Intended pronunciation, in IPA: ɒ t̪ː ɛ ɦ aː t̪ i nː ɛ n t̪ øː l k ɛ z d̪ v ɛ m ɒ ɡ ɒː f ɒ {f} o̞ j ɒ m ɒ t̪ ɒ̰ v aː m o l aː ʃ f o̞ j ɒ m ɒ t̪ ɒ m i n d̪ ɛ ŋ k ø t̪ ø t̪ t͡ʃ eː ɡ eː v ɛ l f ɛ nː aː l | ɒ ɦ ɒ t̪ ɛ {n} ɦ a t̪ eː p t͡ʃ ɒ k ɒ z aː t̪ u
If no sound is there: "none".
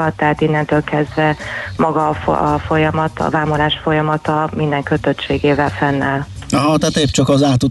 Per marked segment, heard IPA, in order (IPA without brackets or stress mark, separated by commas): f, none